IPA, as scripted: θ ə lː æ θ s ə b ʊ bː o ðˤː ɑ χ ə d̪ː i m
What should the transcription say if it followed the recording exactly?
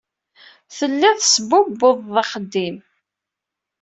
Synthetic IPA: θ ə lː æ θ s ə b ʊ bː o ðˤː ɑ χ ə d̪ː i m